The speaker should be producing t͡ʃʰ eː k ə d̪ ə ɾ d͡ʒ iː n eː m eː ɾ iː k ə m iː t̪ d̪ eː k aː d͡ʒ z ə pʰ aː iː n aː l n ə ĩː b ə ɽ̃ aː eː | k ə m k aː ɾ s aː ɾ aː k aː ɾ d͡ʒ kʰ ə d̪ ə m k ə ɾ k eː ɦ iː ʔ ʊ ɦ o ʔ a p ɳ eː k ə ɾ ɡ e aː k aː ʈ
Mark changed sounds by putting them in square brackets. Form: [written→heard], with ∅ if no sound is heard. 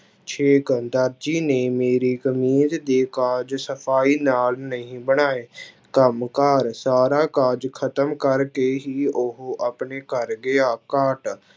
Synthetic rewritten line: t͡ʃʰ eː k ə d̪ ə ɾ d͡ʒ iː n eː m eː ɾ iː k ə m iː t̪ d̪ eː k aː d͡ʒ [z→s] ə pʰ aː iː n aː l n ə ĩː b ə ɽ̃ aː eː | k ə m k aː ɾ s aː ɾ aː k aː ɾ d͡ʒ kʰ ə [d̪→t̪] ə m k ə ɾ k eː ɦ iː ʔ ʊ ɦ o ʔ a p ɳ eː k ə ɾ ɡ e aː k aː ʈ